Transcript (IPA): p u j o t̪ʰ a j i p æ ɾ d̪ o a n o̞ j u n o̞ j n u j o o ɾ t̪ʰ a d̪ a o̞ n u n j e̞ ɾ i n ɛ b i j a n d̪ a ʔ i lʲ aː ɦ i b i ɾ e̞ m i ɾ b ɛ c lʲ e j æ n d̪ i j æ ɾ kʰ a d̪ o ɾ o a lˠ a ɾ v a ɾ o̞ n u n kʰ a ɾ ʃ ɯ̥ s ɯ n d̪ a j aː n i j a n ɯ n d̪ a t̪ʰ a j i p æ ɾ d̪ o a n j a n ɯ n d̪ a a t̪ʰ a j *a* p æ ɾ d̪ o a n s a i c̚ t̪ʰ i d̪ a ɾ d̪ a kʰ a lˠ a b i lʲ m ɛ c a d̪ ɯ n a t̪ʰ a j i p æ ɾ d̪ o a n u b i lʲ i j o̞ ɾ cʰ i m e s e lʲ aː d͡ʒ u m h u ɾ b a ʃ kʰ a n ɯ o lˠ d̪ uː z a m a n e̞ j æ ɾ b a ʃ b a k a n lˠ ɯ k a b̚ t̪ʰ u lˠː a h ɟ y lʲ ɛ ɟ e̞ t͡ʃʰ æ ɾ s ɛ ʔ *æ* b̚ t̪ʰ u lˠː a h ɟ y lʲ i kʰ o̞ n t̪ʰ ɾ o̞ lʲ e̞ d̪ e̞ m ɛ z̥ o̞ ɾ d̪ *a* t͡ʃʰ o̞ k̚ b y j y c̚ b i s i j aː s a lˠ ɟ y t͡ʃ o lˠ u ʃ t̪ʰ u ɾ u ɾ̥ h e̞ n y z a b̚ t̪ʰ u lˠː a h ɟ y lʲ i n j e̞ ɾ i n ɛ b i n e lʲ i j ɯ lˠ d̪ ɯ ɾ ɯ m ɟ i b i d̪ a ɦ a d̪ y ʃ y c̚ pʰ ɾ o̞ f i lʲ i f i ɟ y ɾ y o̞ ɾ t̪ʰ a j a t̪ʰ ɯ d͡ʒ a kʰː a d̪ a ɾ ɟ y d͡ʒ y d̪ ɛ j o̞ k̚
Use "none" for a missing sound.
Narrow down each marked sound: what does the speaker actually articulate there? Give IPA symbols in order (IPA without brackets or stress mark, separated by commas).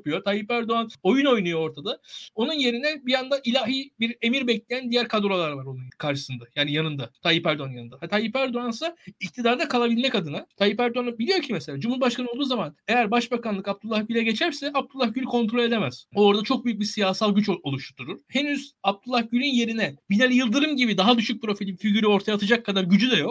i, a, a